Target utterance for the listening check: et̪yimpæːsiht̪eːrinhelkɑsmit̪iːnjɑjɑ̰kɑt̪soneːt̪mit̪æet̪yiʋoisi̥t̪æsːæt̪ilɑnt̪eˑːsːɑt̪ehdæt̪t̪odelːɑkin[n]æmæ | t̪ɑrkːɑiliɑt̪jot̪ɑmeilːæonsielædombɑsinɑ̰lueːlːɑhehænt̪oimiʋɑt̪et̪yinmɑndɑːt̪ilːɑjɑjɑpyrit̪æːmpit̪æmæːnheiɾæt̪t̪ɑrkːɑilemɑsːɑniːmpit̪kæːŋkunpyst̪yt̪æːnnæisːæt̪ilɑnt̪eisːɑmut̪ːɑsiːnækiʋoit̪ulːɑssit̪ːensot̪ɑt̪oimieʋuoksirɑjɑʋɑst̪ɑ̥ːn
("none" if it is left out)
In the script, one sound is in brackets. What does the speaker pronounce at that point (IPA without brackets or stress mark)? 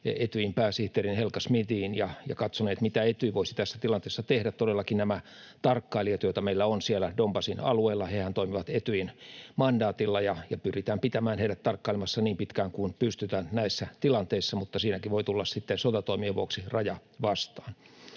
n